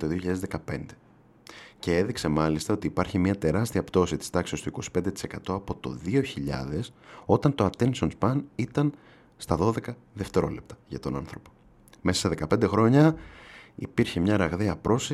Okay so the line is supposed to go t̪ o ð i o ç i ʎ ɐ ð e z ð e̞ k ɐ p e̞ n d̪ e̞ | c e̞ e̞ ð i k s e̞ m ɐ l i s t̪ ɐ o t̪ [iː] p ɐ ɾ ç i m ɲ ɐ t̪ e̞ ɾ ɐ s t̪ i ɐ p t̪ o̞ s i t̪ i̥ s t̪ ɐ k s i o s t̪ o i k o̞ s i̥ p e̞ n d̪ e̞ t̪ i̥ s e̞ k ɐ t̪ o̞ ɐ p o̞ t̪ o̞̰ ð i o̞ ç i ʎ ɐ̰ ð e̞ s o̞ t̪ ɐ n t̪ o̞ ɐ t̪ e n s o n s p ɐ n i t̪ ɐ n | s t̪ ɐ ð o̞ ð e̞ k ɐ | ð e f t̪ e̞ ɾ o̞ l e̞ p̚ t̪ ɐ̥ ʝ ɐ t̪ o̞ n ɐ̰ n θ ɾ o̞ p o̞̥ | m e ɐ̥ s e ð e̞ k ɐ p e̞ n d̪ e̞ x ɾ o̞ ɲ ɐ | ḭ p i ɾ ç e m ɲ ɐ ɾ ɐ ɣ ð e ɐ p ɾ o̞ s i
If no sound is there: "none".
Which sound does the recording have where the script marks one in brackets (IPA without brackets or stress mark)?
iː